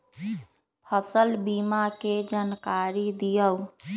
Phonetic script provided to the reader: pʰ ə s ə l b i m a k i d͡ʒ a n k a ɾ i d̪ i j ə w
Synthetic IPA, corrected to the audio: pʰ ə s ə l b i m a k e d͡ʒ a n k a ɾ i d̪ i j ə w